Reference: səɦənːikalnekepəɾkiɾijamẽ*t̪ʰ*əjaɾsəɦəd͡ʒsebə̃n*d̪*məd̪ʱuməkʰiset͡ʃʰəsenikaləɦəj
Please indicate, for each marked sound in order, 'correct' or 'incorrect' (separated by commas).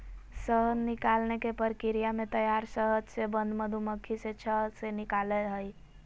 incorrect, correct